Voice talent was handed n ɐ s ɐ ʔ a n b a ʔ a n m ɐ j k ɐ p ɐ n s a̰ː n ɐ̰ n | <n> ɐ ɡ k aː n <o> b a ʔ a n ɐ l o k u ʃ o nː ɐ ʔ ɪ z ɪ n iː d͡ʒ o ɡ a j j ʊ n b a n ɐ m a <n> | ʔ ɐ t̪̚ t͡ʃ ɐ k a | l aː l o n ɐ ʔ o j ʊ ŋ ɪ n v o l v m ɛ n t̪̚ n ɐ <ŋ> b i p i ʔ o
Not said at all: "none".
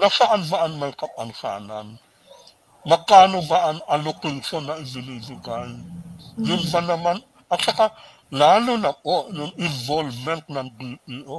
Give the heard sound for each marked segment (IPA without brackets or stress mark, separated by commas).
m, o, n, ŋ